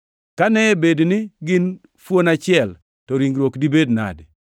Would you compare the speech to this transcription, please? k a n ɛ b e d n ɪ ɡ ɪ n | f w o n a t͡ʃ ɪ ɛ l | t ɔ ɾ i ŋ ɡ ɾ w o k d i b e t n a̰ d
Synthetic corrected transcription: k a n ɛ b e d n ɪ ɡ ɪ n | f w o n a t͡ʃ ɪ ɛ l | t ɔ ɾ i ŋ ɡ ɾ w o k d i b e d n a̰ d